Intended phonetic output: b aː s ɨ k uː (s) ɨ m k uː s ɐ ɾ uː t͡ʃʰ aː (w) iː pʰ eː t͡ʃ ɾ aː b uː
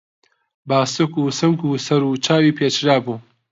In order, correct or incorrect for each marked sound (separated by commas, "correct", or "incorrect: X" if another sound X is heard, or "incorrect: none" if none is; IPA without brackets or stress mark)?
correct, correct